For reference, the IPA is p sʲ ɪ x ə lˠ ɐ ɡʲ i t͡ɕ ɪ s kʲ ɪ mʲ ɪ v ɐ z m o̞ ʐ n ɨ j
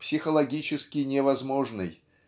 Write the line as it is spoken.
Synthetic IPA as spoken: p sʲ ɪ x ə lˠ ɐ ɡʲ i t͡ɕ ɪ s kʲ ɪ nʲ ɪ v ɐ z m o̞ ʐ n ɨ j